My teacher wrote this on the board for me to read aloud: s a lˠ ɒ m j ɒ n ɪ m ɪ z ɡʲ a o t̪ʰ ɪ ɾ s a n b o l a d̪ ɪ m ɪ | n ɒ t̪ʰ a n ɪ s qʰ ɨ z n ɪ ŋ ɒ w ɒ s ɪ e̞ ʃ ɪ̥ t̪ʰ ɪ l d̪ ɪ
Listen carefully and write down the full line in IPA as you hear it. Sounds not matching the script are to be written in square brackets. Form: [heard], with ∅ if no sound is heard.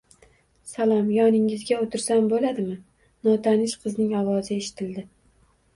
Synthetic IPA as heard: s a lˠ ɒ m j ɒ n ɪ [ŋ] ɪ z ɡʲ a o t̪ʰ ɪ ɾ s a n b o l a d̪ ɪ m ɪ | n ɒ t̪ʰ a n ɪ [ʃ] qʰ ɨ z n ɪ ŋ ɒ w ɒ [z] ɪ e̞ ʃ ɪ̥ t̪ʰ ɪ l d̪ ɪ